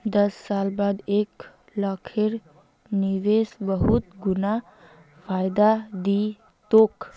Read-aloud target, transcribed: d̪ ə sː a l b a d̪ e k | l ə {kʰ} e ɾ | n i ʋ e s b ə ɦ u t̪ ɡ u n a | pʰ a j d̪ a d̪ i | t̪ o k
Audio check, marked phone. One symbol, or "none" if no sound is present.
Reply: kʰ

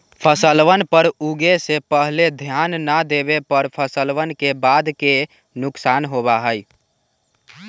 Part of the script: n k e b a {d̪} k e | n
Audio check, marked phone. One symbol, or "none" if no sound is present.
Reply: d̪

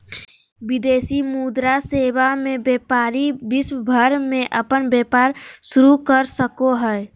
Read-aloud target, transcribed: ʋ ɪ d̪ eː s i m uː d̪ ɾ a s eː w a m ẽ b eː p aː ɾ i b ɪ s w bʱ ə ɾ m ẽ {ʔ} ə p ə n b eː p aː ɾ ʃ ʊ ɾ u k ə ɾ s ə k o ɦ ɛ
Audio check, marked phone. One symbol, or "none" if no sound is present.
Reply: ʔ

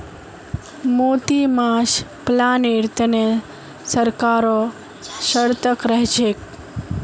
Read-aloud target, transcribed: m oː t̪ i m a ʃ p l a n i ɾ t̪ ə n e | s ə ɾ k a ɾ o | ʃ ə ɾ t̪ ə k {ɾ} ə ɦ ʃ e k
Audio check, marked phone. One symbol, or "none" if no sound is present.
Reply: ɾ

